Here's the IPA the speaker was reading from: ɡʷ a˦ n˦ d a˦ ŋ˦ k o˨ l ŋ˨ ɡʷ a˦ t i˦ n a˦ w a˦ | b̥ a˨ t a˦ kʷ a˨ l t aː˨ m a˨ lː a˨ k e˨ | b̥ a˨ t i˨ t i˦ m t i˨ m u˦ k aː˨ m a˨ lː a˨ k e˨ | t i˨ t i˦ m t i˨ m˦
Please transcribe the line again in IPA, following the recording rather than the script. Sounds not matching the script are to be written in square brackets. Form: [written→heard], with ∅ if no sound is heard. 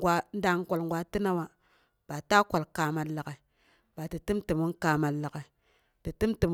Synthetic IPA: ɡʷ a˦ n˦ d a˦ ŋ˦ k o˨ l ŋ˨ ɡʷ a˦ t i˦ n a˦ w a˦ | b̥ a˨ t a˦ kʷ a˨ l [t→k] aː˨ m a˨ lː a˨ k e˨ | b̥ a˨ t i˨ t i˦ m t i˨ m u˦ k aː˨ m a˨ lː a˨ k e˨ | t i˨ t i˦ m t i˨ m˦